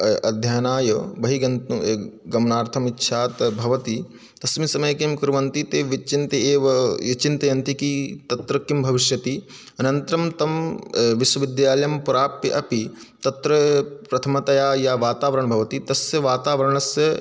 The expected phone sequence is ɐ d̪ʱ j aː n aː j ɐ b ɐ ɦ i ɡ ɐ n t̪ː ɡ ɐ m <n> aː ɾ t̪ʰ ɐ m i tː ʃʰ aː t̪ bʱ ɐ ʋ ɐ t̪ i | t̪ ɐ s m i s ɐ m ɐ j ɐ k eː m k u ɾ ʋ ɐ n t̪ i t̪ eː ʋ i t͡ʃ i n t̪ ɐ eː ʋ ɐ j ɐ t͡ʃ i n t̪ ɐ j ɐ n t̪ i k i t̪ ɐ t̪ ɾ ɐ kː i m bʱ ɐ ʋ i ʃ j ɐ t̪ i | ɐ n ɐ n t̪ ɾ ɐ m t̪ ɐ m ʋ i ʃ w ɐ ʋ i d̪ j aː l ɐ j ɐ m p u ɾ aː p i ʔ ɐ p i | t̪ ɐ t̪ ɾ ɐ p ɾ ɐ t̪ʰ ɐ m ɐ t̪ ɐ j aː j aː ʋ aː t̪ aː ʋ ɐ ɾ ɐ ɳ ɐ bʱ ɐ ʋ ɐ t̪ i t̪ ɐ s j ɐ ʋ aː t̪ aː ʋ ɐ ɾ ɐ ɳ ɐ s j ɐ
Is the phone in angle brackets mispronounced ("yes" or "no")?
no